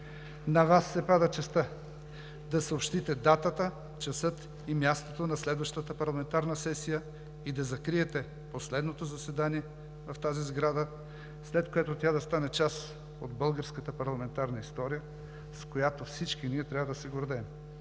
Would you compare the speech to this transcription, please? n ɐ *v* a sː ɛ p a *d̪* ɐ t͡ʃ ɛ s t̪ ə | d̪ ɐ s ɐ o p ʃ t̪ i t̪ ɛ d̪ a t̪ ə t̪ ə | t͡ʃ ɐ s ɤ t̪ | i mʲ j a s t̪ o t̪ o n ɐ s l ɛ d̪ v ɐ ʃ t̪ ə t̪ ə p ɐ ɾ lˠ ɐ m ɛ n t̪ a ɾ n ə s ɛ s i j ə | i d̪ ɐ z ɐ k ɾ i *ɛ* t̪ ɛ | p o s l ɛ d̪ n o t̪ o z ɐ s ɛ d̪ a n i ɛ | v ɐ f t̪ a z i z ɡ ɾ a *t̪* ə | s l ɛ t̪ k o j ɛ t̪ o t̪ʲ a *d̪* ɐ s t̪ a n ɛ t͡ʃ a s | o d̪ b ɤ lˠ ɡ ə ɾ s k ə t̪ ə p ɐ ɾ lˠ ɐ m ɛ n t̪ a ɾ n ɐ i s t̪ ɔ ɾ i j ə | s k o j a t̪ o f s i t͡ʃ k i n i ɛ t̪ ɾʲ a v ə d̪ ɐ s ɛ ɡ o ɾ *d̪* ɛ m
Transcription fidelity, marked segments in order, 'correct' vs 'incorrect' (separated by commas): correct, correct, correct, incorrect, correct, correct